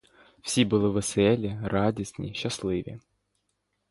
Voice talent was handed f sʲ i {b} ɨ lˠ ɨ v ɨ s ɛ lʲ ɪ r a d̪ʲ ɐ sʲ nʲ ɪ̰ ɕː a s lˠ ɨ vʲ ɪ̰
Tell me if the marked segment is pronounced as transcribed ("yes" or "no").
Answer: yes